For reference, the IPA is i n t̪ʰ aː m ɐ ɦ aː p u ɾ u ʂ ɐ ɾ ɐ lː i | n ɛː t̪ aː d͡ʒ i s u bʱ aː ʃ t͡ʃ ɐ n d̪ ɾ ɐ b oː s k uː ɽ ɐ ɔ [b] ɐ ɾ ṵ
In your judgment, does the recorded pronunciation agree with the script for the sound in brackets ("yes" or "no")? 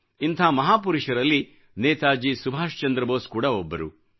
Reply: no